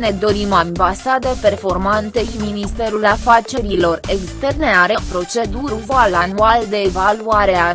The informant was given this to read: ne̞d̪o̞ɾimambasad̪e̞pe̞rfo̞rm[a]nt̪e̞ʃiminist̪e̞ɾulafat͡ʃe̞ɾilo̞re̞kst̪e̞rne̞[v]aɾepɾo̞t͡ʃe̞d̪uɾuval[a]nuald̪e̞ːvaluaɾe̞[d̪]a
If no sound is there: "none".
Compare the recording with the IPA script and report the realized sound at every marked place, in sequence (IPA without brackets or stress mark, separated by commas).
a, none, a, none